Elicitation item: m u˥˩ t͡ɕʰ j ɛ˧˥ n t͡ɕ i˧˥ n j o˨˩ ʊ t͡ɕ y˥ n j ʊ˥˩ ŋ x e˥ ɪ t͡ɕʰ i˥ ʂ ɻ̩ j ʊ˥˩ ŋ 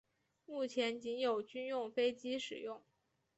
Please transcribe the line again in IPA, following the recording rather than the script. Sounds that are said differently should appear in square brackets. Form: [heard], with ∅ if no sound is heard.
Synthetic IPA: m u˥˩ t͡ɕʰ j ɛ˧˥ n t͡ɕ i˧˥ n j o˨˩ ʊ t͡ɕ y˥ n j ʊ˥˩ ŋ [f] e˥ ɪ [t͡ɕ] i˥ ʂ ɻ̩ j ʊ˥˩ ŋ